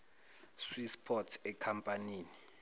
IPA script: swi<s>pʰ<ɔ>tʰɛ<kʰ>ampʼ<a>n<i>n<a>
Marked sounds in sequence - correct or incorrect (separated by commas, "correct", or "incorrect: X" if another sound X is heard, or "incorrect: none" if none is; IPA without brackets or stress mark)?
correct, correct, correct, correct, incorrect: iː, incorrect: i